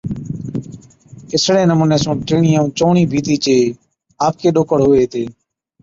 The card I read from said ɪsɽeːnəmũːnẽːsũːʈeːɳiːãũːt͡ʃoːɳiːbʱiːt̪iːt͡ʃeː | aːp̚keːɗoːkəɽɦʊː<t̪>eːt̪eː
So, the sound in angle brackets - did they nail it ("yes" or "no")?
no